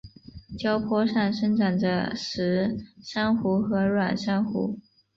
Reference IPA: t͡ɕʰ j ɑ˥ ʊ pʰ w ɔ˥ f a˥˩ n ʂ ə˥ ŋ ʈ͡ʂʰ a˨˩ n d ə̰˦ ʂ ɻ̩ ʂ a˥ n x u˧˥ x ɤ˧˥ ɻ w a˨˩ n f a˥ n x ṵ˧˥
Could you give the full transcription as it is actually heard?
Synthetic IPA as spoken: t͡ɕ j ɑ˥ ʊ pʰ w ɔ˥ ʂ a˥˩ n ʂ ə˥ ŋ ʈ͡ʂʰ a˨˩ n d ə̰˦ ʂ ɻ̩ ʂ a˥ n x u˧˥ x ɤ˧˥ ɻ w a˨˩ n ʂ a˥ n x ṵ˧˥